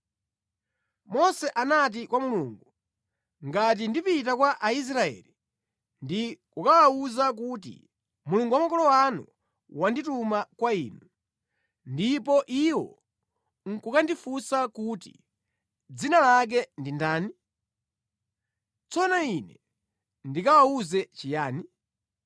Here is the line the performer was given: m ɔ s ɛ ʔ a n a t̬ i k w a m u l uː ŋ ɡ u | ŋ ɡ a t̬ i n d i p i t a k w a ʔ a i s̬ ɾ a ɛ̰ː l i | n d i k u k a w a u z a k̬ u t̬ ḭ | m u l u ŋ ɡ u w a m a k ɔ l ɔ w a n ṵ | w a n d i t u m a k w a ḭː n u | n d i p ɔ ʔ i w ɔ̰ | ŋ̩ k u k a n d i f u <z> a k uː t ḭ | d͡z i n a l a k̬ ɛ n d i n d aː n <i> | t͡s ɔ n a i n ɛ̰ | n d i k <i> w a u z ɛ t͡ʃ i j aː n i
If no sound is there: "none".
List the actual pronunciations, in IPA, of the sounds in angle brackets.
s, i, a

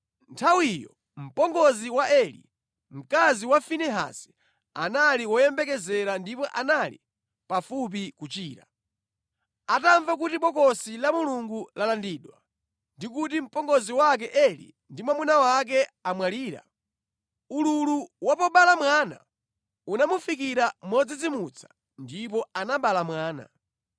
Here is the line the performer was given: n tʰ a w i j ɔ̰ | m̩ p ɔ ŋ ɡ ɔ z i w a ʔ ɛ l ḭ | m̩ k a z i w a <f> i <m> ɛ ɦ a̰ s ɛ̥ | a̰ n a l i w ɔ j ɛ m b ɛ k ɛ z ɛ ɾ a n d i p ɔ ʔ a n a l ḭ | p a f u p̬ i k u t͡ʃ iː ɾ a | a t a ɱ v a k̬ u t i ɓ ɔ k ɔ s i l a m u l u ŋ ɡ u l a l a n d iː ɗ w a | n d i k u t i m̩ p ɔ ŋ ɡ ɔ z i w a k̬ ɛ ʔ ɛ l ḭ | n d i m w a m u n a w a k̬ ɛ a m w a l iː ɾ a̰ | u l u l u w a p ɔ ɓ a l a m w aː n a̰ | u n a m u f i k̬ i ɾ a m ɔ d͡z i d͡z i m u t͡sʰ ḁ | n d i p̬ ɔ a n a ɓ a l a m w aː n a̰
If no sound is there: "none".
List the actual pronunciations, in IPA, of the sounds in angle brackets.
f, n

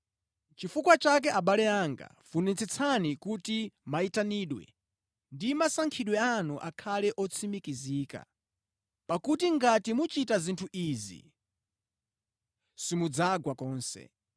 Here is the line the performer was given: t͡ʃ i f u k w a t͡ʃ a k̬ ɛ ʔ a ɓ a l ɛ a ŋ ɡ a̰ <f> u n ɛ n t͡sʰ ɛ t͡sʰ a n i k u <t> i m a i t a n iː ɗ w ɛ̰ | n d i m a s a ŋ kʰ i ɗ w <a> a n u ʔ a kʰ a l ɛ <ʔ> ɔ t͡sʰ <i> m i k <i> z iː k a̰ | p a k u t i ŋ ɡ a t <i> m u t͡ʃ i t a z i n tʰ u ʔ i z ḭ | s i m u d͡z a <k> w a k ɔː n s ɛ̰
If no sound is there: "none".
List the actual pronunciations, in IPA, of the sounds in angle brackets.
f, t, ɛ, ʔ, i, i, i, ɡ

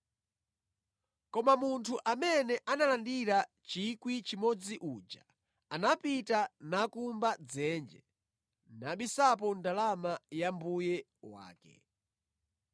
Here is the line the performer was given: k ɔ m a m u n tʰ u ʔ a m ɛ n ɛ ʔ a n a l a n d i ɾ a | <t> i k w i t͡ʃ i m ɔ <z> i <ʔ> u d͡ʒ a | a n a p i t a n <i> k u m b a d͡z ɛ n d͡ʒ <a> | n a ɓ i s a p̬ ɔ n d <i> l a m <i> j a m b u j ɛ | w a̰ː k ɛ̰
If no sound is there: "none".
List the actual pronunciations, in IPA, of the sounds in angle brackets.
t͡ʃ, d͡z, ʔ, a, ɛ, a, a

